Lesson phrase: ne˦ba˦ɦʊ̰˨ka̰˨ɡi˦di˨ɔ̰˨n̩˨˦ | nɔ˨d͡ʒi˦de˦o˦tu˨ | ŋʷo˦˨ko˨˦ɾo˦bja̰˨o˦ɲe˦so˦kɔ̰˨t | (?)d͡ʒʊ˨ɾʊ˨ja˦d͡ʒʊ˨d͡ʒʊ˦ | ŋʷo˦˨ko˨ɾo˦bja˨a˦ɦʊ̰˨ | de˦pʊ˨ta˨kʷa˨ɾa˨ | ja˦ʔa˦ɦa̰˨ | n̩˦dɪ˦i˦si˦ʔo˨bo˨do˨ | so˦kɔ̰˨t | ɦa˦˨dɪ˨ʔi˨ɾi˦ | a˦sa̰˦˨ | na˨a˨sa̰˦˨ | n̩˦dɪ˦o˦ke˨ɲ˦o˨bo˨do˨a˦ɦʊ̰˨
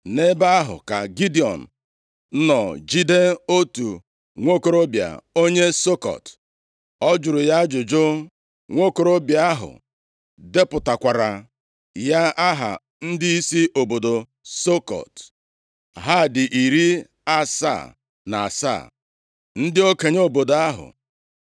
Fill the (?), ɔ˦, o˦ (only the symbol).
ɔ˦